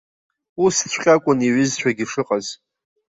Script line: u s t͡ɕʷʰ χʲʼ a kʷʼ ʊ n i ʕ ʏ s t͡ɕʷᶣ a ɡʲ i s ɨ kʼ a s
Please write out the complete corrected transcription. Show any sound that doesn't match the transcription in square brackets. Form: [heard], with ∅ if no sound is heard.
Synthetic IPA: u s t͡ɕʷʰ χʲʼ a kʷʼ ʊ n i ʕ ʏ [z] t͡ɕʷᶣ a ɡʲ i [ʂ] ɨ [qʼ] a [z]